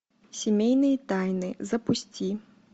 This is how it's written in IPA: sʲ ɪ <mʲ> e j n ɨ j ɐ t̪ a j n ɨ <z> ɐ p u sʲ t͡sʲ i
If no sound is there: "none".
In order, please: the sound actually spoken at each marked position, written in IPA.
mʲ, z

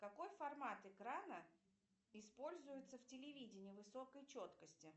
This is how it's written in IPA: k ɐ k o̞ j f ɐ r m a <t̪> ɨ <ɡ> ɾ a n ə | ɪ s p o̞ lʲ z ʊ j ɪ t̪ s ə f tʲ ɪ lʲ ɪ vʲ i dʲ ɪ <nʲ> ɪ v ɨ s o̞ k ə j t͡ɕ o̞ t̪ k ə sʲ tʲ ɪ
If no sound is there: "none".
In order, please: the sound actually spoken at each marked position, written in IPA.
t̪, k, nʲ

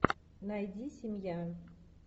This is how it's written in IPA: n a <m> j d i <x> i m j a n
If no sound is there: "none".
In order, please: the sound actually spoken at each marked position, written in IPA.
none, s

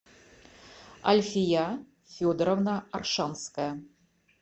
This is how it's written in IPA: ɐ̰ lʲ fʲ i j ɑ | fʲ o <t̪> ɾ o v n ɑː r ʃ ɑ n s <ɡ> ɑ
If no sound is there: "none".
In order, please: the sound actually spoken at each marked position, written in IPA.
d̪, k

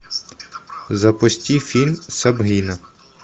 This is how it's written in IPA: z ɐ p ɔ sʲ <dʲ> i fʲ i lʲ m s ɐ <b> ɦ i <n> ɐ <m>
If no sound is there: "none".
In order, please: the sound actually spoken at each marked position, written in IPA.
tʲ, b, n, none

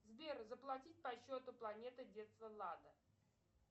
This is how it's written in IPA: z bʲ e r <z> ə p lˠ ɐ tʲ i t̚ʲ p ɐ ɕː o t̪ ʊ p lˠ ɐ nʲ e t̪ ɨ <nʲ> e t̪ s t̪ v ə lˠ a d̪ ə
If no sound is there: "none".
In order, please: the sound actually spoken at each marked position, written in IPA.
z, dʲ

